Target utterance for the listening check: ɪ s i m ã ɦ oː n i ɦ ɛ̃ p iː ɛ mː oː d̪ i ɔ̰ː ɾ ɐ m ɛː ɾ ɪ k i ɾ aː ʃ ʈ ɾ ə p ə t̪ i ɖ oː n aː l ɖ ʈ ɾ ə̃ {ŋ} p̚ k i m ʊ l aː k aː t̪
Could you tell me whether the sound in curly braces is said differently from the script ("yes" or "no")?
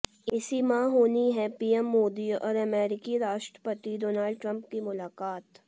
yes